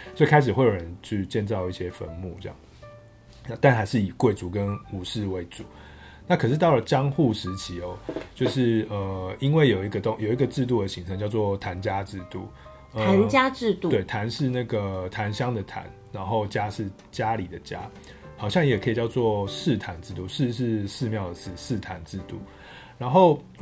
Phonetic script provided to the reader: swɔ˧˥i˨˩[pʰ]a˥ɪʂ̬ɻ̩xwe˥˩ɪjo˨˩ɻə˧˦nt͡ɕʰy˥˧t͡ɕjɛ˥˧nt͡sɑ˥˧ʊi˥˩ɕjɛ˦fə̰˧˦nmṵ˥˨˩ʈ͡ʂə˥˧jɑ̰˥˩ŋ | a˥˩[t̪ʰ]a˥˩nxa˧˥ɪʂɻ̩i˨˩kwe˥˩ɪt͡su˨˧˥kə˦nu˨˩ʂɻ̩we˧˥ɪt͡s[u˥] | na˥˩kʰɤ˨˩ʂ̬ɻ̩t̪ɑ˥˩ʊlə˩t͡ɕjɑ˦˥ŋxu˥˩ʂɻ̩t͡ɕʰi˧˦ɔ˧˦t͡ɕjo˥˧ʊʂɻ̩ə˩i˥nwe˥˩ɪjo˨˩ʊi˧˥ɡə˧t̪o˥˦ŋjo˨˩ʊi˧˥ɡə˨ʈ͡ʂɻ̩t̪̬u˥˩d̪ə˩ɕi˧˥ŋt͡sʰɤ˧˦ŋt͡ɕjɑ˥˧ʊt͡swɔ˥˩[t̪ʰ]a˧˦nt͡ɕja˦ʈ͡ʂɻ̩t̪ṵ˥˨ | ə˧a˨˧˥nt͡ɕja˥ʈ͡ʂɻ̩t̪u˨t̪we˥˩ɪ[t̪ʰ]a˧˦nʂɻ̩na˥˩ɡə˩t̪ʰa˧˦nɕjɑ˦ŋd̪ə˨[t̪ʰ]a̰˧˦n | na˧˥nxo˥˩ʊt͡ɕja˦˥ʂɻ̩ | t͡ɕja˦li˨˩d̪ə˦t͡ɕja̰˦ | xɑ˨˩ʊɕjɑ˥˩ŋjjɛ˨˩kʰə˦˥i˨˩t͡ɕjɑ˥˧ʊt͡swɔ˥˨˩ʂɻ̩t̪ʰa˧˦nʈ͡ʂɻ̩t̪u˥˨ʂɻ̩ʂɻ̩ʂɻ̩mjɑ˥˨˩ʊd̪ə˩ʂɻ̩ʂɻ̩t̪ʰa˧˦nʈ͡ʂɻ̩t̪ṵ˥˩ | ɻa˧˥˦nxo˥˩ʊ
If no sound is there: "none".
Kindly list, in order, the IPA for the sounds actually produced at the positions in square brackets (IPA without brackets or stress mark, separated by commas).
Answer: kʰ, t̪, u˨˦, t̪ʰ, t̪ʰ, t̪ʰ